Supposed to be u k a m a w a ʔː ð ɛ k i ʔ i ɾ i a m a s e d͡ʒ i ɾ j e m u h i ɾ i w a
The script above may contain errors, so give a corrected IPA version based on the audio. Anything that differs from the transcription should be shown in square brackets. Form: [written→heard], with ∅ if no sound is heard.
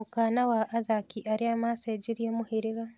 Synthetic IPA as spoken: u k a [m→n] a w a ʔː ð [ɛ→a] k i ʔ [i→a] ɾ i a m a s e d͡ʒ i ɾ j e m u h i ɾ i [w→ɣ] a